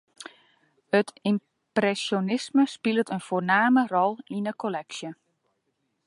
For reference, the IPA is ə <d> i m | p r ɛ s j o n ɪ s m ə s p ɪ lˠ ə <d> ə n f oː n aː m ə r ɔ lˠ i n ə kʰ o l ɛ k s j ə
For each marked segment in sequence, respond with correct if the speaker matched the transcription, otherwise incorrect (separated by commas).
incorrect, incorrect